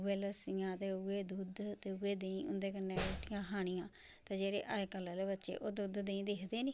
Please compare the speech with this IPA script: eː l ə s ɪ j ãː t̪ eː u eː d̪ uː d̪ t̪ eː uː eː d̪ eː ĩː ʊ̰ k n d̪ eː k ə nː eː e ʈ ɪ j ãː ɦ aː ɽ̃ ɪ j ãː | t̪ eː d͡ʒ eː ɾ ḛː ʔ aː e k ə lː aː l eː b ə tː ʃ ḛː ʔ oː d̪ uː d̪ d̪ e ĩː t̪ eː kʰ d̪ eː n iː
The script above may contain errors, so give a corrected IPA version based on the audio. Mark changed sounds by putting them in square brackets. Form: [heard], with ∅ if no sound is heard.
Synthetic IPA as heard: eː l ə s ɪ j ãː t̪ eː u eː d̪ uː d̪ t̪ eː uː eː d̪ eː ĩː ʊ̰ [∅] n d̪ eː k ə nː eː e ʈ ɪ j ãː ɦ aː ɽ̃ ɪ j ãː | t̪ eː d͡ʒ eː ɾ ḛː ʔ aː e k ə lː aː l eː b ə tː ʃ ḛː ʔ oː d̪ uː d̪ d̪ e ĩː [d̪] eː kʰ d̪ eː n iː